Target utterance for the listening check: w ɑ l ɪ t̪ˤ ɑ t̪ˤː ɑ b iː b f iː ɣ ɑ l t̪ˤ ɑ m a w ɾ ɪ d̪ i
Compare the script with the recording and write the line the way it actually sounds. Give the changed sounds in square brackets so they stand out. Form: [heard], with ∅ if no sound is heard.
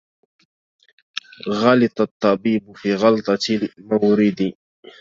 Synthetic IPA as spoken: [ɣ] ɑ l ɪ t̪ˤ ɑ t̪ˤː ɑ b iː b f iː ɣ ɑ l t̪ˤ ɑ m a w ɾ ɪ d̪ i